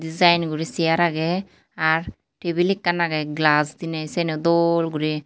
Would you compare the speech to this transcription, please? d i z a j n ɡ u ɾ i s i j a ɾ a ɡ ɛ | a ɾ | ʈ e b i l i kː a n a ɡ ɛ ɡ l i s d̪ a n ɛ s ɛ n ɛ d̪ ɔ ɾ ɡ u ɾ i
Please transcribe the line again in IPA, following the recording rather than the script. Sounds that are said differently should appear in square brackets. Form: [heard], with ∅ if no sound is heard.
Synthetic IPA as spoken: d i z a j n ɡ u ɾ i s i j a ɾ a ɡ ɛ | a ɾ | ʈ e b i l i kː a n a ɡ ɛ ɡ l [a] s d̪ [i] n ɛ s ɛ n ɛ d̪ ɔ [l] ɡ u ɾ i